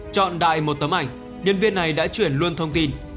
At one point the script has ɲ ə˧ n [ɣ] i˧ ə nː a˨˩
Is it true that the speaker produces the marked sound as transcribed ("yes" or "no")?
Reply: no